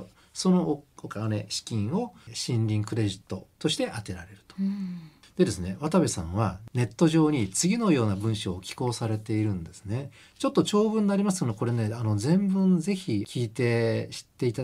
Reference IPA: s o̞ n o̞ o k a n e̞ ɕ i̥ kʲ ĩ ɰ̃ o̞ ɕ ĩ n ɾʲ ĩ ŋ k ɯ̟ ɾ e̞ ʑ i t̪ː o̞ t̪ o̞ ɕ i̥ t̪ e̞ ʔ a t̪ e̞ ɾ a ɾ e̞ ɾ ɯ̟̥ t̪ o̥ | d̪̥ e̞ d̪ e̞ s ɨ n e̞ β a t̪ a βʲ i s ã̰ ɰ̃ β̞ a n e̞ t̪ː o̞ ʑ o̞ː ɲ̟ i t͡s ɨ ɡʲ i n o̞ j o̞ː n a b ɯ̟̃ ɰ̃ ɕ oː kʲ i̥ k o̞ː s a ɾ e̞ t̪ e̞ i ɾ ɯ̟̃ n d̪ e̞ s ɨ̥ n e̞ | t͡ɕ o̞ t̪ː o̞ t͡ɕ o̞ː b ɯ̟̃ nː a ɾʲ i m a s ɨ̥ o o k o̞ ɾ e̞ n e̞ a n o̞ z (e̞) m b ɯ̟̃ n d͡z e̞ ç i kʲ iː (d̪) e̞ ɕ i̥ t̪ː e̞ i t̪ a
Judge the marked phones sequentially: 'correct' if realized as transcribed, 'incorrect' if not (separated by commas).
incorrect, incorrect